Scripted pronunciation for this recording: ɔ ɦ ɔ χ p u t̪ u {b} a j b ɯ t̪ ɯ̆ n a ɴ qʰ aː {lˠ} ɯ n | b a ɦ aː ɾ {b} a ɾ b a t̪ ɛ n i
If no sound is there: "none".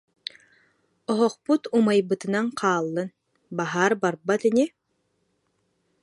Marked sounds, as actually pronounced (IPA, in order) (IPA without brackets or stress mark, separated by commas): m, lˠː, b